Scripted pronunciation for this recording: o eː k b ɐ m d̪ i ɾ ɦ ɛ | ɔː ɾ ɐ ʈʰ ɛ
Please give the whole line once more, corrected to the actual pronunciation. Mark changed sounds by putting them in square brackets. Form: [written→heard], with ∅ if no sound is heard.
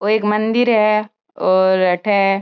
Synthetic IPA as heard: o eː k [b→m] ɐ [m→n] d̪ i ɾ ɦ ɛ | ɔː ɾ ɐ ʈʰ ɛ